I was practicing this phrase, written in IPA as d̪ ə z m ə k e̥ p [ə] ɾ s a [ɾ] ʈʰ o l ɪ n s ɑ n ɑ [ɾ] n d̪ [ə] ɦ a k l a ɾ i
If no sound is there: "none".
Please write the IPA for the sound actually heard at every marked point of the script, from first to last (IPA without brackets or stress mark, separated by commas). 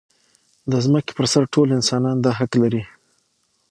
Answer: ə, ɾ, none, ɑ